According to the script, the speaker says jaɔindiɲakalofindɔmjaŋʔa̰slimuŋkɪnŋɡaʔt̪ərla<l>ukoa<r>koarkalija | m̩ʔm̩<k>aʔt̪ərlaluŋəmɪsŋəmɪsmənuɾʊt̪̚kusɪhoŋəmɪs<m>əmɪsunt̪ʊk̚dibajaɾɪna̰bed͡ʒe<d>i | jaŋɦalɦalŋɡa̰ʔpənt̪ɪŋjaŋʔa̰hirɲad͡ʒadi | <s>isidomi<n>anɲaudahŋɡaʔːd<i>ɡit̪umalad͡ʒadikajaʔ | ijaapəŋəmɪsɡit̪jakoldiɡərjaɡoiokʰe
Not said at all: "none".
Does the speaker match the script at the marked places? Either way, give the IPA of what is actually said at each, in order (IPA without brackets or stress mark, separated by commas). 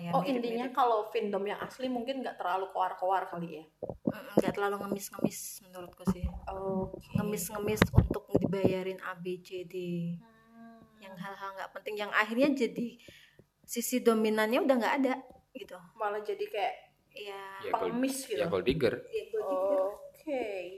l, r, ɡ, ŋ, d, s, n, a